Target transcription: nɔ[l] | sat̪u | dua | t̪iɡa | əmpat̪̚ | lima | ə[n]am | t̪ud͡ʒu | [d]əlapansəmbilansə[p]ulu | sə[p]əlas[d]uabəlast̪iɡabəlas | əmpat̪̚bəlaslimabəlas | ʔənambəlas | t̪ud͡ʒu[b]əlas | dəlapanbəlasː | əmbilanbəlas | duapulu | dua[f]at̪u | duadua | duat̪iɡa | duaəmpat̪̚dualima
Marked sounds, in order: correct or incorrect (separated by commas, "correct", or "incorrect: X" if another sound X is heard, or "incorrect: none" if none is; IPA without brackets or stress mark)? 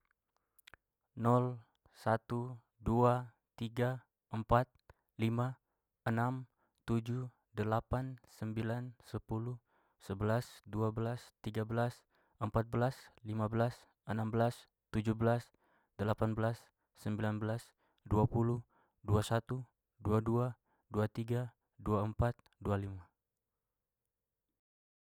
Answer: correct, correct, correct, correct, incorrect: b, correct, correct, incorrect: s